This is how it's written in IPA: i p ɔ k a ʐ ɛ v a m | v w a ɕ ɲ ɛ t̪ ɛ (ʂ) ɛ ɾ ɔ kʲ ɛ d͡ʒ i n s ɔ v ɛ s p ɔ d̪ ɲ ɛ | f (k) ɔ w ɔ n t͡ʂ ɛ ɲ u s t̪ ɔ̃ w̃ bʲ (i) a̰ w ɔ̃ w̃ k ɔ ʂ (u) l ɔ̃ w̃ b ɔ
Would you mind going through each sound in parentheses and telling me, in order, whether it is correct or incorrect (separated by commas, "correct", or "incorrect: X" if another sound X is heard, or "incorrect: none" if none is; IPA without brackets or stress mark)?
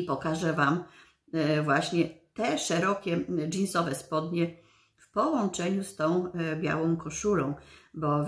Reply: correct, incorrect: p, incorrect: j, correct